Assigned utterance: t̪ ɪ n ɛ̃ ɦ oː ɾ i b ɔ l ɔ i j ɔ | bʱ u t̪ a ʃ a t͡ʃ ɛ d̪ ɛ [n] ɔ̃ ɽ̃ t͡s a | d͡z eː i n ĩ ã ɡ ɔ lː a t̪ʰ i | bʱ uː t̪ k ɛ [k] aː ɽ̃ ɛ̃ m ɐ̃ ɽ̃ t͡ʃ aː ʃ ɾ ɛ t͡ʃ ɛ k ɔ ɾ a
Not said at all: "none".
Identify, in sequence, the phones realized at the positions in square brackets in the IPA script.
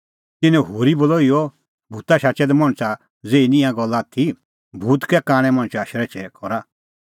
m, k

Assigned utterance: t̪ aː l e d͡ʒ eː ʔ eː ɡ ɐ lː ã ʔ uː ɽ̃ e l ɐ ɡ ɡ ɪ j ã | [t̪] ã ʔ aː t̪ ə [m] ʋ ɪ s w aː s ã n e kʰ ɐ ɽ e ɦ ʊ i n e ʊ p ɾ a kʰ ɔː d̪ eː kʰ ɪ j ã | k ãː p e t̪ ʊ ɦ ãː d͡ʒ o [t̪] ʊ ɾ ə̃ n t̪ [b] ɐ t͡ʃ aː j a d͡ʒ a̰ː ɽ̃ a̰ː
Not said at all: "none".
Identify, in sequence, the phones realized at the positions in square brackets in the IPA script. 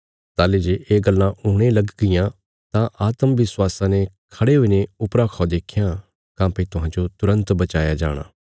t̪, m, t̪, b

